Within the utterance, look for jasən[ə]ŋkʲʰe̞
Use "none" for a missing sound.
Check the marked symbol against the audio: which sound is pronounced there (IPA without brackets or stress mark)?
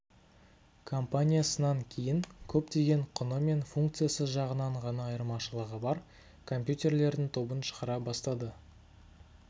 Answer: ɑ